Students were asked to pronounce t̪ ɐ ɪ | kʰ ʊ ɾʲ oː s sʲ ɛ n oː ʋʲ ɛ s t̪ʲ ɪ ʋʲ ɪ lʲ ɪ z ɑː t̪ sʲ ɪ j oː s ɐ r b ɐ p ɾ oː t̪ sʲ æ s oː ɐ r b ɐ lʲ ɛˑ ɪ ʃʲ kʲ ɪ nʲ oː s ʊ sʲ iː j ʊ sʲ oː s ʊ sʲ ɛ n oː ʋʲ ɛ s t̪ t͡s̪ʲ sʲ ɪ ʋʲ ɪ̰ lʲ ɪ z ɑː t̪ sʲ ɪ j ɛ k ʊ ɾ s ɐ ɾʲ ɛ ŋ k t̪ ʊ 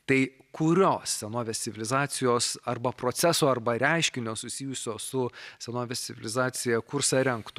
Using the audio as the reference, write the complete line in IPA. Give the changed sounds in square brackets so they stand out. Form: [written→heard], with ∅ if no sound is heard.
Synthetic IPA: t̪ ɐ ɪ | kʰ ʊ ɾʲ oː s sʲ ɛ n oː ʋʲ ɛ s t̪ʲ ɪ ʋʲ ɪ lʲ ɪ z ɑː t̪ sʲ ɪ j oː s ɐ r b ɐ p ɾ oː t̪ sʲ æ s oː ɐ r b ɐ [lʲ→ɾʲ] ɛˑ ɪ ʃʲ kʲ ɪ nʲ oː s ʊ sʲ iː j ʊ sʲ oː s ʊ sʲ ɛ n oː ʋʲ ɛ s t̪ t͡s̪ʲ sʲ ɪ ʋʲ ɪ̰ lʲ ɪ z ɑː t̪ sʲ ɪ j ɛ k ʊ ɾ s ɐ ɾʲ ɛ ŋ k t̪ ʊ